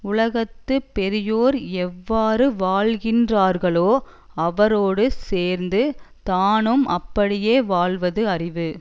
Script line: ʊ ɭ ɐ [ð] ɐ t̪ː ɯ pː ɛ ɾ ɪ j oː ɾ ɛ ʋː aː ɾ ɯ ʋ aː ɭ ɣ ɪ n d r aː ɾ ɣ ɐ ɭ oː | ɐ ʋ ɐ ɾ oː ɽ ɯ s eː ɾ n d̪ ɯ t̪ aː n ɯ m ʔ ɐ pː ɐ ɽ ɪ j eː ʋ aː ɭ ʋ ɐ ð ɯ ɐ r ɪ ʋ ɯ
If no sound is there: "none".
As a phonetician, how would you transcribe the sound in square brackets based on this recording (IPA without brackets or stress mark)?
ɣ